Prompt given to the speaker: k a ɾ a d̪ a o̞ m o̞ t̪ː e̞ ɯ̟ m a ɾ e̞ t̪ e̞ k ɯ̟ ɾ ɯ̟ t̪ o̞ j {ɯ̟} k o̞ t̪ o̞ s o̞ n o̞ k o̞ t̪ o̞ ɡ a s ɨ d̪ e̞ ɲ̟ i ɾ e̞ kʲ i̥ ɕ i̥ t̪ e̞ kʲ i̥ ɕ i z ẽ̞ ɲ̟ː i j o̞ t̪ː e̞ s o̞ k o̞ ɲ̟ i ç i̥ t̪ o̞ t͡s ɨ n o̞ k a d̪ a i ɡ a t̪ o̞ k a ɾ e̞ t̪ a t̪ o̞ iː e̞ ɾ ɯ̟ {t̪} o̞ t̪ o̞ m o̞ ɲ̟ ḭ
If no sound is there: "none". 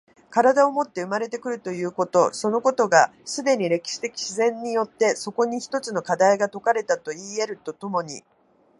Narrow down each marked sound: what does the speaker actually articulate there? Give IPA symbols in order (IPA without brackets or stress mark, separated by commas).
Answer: ɯ̟ː, t̪